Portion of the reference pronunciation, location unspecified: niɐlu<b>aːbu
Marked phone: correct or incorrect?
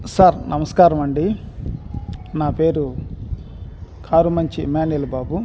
correct